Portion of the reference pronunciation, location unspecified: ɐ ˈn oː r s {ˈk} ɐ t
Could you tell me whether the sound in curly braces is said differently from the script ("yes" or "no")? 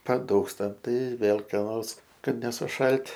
no